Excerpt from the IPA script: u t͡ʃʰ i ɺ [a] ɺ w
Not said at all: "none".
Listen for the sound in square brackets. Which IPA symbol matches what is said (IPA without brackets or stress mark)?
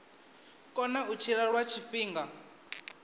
a